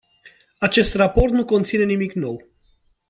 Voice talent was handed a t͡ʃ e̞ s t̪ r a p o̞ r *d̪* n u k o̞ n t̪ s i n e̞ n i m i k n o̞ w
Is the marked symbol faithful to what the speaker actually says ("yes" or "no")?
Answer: no